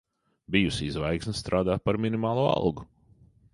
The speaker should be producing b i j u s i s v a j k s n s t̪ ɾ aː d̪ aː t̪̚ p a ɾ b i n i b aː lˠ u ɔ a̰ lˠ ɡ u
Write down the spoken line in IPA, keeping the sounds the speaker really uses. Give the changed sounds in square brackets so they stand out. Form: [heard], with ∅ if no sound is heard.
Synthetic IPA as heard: b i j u s i [z] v a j k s n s t̪ ɾ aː d̪ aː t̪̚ p a ɾ [m] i n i [m] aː lˠ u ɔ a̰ lˠ ɡ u